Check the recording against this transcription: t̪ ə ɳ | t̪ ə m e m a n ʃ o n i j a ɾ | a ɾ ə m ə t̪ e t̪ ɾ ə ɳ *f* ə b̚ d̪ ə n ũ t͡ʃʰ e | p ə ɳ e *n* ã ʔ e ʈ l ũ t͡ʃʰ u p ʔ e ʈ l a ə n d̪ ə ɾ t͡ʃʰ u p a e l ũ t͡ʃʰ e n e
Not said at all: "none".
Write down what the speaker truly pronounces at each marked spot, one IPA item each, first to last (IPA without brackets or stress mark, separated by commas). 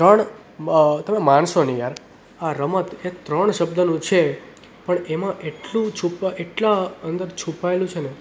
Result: ʃ, m